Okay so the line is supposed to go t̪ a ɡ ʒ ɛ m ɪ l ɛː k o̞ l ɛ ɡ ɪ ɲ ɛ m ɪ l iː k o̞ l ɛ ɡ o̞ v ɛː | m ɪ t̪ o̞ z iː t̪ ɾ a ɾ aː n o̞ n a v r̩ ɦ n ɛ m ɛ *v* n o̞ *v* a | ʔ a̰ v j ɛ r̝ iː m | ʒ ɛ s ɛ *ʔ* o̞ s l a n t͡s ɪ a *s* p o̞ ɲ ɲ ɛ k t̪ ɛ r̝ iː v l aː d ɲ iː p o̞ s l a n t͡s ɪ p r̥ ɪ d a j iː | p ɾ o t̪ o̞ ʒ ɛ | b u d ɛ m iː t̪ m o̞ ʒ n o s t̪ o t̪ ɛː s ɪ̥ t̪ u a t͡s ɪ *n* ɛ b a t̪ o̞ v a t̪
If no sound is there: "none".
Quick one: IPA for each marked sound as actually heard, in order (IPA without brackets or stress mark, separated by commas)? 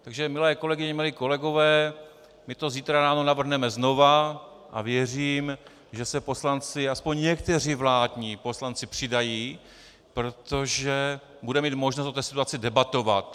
z, v, p, s, d